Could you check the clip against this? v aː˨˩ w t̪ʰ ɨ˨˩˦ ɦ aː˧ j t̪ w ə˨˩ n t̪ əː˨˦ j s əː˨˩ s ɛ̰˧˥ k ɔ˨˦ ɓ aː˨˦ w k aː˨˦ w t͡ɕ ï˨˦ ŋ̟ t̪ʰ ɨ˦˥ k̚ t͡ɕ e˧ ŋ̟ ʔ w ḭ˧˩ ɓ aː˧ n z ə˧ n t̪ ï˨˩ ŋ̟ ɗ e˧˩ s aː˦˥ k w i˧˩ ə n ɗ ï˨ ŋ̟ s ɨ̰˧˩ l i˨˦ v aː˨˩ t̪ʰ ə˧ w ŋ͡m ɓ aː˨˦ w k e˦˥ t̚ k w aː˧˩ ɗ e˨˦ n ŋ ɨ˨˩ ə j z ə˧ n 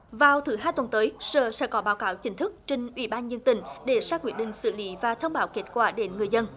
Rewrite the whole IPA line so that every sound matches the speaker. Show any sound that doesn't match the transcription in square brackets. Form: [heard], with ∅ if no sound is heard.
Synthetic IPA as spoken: v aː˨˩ w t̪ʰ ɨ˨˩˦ ɦ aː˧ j t̪ w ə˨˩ n t̪ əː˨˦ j s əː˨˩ s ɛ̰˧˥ k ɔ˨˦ ɓ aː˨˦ w k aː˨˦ w t͡ɕ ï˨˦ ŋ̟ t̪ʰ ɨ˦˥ k̚ t͡ɕ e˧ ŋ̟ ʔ w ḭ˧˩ ɓ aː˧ n z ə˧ n t̪ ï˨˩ ŋ̟ ɗ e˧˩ s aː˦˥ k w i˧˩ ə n ɗ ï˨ ŋ̟ s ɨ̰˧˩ l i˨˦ v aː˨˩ t̪ʰ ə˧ w ŋ͡m ɓ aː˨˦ w k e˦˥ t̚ k w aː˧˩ ɗ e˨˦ n ŋ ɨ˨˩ ə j z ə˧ n